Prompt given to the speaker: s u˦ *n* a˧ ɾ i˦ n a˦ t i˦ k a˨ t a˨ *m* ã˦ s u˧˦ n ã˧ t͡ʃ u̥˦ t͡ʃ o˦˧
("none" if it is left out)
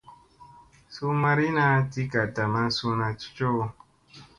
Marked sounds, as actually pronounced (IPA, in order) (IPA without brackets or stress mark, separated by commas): m, m